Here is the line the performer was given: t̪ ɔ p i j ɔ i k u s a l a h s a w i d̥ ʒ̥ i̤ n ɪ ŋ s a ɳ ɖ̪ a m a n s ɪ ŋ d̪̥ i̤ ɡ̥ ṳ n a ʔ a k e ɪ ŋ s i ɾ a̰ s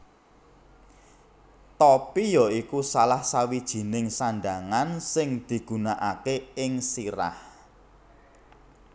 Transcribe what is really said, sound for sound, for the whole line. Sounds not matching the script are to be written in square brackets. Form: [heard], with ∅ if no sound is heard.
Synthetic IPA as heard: t̪ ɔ p i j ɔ i k u s a l a h s a w i d̥ ʒ̥ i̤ n ɪ ŋ s a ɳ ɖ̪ a [ŋ] a n s ɪ ŋ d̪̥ i̤ ɡ̥ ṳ n a ʔ a k e ɪ ŋ s i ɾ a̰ [h]